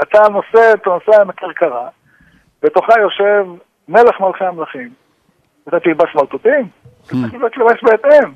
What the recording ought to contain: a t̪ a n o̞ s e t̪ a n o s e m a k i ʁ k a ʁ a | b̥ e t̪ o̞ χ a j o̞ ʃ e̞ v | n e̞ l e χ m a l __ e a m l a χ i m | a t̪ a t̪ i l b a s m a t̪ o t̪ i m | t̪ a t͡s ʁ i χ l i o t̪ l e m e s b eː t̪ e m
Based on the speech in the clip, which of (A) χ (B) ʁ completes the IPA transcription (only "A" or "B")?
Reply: A